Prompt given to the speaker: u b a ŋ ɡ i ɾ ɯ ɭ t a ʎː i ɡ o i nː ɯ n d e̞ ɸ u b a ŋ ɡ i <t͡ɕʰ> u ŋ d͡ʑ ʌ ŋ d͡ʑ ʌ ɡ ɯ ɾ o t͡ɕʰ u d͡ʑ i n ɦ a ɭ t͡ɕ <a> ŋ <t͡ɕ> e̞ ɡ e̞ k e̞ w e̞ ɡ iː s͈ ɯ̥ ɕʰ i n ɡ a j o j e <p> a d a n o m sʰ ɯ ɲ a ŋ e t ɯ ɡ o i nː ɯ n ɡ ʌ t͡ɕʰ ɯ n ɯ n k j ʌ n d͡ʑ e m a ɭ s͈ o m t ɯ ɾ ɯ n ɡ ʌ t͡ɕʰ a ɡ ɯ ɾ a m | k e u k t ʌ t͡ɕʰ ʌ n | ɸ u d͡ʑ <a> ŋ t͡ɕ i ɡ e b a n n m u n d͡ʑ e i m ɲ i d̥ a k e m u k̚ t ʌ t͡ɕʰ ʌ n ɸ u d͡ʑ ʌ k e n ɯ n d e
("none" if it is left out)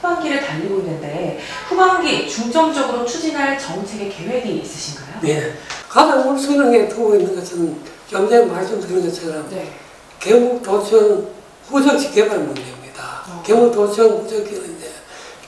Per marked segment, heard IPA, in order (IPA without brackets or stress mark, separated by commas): t͡ɕ, ʌ, t͡ɕʰ, k, ʌ